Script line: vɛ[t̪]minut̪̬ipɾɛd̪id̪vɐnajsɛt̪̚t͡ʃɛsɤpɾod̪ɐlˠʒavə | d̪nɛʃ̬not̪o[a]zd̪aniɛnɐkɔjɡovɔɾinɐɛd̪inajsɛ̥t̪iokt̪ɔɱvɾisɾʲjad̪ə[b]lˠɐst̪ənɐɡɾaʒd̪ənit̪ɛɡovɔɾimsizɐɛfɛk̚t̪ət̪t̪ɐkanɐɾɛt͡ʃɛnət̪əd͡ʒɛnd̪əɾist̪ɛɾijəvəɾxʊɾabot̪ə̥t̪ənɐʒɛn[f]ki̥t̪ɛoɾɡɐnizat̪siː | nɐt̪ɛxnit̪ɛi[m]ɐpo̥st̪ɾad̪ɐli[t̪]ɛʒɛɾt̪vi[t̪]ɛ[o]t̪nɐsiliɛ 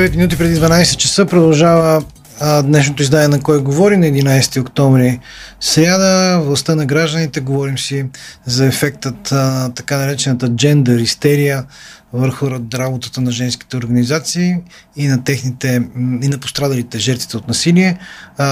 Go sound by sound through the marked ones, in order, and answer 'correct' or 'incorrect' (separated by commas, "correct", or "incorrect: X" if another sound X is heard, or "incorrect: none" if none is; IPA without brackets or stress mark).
correct, incorrect: i, incorrect: v, incorrect: s, incorrect: n, correct, correct, correct